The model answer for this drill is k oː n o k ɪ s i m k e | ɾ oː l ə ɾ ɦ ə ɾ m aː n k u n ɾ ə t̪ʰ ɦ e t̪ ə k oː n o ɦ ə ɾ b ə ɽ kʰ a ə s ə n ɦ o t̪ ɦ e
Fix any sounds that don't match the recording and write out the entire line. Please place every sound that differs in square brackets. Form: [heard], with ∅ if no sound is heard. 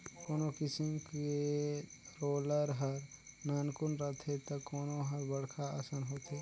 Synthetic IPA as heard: k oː n o k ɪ s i m k e | ɾ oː l ə ɾ ɦ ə ɾ [n] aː n k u n ɾ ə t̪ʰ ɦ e t̪ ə k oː n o ɦ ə ɾ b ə ɽ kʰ a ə s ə n ɦ o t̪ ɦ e